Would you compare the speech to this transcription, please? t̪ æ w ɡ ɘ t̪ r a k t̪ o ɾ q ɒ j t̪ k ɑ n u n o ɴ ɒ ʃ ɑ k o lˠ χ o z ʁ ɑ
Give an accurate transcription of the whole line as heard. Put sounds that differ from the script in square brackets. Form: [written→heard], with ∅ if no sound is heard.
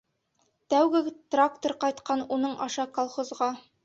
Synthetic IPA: t̪ æ w ɡ ɘ t̪ r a k t̪ o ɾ q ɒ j t̪ [k→q] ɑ n u n [o→ɤ] ɴ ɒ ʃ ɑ k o lˠ χ o z ʁ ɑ